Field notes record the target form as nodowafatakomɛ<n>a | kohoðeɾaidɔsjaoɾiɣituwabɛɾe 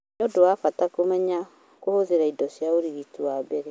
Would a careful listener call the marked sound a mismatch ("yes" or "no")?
yes